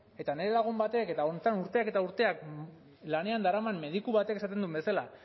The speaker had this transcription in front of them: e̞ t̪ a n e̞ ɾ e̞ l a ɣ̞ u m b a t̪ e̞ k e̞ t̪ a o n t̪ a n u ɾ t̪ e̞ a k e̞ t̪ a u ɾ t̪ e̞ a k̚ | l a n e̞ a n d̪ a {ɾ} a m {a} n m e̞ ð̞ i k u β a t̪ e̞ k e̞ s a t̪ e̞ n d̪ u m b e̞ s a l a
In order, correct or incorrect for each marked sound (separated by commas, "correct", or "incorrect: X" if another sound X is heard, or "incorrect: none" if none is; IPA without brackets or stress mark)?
correct, correct